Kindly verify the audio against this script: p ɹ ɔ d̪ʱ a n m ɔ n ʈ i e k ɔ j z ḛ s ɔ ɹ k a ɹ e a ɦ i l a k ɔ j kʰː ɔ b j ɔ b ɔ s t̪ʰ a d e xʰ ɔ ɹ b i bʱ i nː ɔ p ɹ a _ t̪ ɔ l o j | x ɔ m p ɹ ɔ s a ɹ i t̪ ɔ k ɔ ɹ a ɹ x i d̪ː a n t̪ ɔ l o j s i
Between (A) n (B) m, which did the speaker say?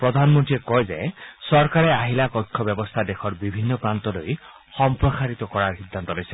A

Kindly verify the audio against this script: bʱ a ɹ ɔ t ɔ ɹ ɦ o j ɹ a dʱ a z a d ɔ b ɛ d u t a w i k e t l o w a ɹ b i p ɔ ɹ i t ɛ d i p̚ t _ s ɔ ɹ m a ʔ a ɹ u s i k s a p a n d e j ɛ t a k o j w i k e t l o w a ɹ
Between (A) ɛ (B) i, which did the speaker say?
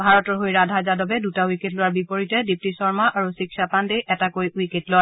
B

